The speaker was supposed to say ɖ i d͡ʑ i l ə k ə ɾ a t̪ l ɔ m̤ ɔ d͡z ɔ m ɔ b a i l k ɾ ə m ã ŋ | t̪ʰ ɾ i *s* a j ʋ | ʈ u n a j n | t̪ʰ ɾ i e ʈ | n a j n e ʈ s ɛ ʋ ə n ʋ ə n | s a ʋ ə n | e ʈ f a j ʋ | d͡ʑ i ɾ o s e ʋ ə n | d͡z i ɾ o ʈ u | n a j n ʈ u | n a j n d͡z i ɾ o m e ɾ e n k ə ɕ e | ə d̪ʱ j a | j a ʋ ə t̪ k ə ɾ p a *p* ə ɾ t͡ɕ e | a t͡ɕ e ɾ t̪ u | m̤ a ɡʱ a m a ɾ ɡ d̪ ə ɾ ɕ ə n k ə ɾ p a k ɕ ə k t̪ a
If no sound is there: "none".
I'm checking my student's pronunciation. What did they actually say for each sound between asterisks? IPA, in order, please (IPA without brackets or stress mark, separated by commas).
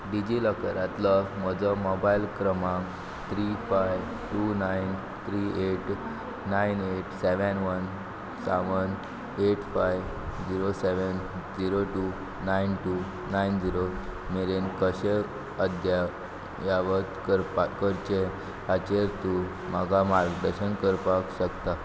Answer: f, k